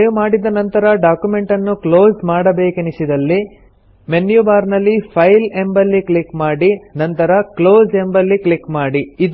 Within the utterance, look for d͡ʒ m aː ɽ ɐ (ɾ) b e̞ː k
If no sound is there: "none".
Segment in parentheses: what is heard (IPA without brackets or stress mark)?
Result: none